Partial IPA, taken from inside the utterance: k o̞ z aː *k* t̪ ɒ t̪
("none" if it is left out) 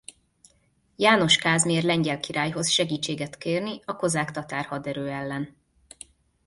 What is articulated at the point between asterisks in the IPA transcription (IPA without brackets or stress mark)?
k